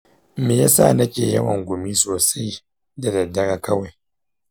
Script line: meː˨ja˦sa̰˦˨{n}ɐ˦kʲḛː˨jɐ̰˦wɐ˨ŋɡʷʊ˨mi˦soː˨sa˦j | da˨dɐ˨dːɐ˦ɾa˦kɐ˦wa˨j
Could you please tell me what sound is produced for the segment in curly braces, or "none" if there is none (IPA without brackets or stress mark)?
n